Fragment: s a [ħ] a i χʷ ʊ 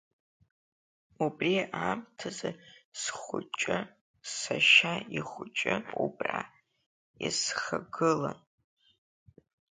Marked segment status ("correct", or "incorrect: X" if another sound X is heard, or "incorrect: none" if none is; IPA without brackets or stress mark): incorrect: ʃ